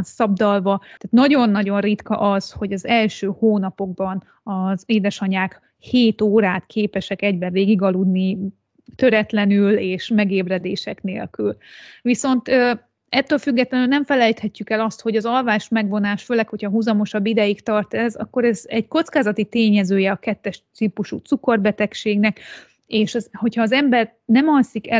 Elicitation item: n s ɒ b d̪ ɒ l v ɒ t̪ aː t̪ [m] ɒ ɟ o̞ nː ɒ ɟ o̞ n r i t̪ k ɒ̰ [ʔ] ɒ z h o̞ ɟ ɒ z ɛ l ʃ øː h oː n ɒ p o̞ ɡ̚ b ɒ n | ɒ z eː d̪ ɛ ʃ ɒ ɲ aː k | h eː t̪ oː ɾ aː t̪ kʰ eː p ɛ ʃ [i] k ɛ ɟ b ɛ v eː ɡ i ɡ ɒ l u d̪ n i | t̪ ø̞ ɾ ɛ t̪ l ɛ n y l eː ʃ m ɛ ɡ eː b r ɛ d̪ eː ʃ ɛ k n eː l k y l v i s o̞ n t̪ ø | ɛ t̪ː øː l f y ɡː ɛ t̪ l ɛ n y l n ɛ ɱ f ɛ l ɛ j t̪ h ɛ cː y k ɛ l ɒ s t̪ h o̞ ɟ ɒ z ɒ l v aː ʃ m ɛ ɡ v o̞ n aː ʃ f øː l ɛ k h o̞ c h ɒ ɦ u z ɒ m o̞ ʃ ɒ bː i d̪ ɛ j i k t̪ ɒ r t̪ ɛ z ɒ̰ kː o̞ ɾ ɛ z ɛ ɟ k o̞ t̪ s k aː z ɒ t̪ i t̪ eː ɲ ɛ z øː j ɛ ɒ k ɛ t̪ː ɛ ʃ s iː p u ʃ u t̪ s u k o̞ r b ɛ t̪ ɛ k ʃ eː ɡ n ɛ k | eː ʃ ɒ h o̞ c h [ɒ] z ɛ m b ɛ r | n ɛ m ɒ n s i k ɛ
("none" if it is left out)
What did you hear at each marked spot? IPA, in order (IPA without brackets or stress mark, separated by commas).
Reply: n, ʔ, ɛ, ɒː